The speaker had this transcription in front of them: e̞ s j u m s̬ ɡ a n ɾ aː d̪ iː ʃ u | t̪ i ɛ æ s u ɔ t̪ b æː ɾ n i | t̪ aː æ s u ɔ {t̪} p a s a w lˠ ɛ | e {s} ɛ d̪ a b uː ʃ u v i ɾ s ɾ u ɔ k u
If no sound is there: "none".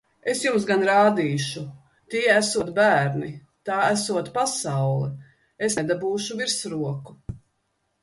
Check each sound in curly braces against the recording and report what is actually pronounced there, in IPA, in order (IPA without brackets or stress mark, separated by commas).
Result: t̪, s